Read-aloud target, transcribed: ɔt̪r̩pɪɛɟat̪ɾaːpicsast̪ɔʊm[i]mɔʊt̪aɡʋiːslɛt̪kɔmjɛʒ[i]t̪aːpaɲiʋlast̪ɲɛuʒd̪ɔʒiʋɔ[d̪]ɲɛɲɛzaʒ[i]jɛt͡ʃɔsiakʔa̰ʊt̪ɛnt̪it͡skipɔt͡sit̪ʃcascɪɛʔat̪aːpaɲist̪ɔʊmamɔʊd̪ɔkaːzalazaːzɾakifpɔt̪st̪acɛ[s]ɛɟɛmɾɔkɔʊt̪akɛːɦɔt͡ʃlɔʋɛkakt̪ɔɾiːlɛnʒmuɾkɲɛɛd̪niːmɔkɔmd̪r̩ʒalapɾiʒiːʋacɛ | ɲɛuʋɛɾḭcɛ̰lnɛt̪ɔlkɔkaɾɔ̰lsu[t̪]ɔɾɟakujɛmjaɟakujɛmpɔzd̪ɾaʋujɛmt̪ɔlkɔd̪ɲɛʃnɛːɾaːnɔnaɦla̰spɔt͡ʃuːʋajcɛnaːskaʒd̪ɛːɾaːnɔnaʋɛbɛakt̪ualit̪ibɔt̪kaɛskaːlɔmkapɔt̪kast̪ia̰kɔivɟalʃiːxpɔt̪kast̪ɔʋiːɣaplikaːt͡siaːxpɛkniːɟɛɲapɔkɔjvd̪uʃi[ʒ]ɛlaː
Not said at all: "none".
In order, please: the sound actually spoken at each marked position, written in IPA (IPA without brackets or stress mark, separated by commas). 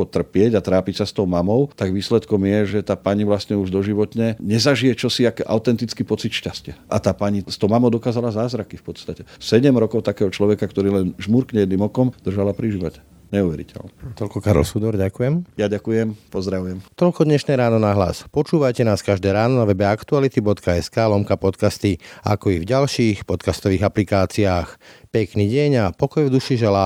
a, ɛ, t̪, i, s, d̪, ʒ